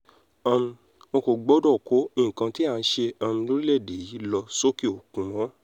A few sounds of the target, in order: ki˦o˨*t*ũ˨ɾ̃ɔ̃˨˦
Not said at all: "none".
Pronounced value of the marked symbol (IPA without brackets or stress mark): k